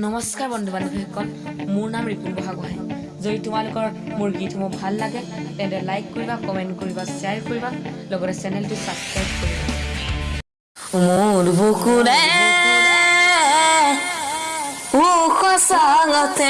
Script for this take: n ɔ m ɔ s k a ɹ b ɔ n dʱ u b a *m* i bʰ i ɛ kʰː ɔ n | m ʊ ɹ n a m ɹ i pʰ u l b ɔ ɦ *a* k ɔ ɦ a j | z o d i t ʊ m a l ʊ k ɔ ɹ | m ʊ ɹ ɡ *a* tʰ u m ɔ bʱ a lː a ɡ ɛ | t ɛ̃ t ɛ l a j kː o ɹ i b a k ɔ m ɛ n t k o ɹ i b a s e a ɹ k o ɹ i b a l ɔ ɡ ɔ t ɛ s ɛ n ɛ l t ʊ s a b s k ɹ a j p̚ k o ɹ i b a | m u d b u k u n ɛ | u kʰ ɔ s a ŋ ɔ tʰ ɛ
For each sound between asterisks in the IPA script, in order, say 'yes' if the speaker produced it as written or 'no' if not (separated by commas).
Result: no, yes, no